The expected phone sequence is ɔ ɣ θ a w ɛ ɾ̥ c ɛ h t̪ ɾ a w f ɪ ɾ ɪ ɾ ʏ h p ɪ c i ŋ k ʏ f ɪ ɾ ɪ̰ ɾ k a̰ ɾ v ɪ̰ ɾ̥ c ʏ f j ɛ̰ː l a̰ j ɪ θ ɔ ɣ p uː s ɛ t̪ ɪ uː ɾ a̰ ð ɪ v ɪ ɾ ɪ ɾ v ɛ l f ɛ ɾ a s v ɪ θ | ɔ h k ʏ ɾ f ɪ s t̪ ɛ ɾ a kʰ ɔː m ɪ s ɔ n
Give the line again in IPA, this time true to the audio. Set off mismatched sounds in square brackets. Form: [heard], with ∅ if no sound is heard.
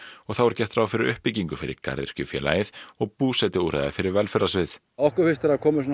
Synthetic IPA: ɔ ɣ θ a w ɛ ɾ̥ c ɛ h t̪ ɾ a w f ɪ ɾ ɪ ɾ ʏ h p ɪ c i ŋ k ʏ f ɪ ɾ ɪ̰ ɾ k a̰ ɾ [ð] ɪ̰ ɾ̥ c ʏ f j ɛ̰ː l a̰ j ɪ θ ɔ ɣ p uː s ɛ t̪ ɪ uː ɾ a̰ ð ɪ [f] ɪ ɾ ɪ ɾ v ɛ l f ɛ ɾ a s v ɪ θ | ɔ h k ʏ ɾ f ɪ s t̪ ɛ ɾ a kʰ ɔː m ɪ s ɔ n